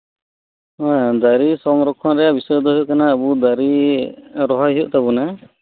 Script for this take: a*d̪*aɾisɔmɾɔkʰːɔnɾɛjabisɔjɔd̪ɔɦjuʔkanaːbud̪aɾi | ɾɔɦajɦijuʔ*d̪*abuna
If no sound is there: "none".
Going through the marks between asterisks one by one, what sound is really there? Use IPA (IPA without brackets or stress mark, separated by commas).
d̪, t̪